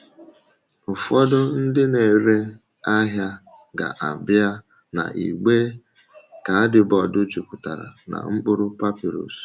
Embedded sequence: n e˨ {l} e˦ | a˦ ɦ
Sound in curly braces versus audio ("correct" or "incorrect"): incorrect